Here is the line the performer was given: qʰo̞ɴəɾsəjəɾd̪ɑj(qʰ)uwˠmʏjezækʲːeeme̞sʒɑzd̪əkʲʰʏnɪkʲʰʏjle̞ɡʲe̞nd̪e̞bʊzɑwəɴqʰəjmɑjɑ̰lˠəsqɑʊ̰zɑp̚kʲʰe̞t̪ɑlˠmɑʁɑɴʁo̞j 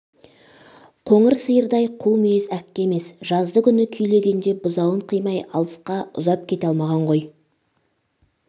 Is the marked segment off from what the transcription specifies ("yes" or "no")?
no